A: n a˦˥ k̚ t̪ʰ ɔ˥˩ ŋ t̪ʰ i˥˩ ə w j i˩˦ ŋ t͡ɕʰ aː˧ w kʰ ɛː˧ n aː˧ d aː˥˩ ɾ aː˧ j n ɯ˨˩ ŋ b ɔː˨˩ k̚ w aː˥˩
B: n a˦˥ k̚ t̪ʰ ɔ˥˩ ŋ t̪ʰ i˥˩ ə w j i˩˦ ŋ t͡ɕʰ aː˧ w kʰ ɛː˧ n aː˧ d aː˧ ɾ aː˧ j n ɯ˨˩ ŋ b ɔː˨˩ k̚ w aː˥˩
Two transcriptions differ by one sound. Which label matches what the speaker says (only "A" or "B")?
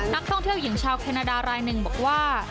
B